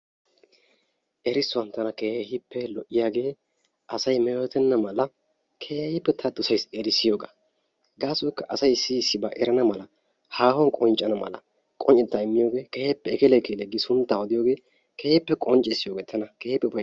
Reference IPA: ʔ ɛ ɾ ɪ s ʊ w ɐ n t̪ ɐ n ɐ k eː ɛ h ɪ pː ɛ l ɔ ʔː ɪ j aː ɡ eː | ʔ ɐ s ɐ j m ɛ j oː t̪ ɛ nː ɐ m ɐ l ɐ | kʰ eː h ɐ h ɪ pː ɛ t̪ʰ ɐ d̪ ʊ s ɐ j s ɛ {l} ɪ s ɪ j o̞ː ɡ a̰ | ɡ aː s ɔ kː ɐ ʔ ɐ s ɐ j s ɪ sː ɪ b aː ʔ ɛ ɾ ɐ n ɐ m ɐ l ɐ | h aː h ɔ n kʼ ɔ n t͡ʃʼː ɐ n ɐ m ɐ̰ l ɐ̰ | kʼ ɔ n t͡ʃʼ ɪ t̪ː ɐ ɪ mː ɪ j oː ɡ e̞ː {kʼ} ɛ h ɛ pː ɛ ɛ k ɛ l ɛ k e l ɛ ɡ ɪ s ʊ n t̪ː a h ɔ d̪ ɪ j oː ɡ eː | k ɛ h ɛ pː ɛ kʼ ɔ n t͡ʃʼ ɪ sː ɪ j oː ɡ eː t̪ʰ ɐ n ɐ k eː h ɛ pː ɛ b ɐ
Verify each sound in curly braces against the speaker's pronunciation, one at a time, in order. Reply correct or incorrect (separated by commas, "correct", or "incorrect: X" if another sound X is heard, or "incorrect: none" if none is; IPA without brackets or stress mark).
incorrect: ɾ, incorrect: k